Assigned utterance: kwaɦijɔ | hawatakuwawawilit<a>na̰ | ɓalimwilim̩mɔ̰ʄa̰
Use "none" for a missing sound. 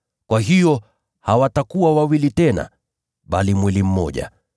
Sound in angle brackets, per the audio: ɛ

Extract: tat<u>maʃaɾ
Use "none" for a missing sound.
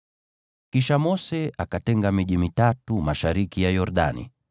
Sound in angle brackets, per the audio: u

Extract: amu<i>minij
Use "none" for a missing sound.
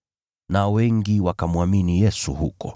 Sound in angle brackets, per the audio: a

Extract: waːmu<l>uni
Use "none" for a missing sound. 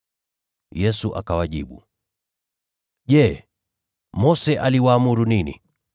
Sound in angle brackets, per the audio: ɾ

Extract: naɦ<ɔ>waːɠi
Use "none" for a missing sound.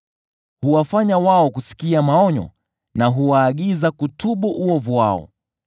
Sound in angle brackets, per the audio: u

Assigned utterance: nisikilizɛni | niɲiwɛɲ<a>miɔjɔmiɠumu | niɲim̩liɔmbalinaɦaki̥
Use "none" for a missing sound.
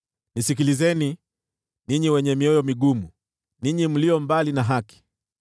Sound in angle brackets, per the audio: ɛ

